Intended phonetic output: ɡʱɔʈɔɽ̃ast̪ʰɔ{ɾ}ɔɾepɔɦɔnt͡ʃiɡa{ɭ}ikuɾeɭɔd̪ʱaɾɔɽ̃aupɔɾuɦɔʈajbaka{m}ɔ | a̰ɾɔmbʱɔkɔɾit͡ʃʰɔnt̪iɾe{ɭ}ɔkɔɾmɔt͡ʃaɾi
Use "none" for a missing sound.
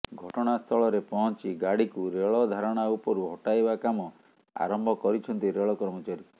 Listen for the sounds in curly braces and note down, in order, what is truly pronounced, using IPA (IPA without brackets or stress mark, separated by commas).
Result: ɭ, ɽ, m, ɭ